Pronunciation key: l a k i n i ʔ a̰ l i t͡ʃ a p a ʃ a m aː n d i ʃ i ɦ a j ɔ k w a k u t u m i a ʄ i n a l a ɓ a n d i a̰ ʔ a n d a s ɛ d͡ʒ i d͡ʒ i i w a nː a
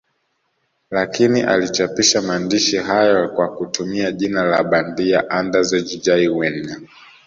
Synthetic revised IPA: l a k i n i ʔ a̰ l i t͡ʃ a p i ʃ a m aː n d i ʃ i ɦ a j ɔ k w a k u t u m i a ʄ i n a l a ɓ a n d i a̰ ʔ a n d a z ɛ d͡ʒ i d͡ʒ a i w ɛ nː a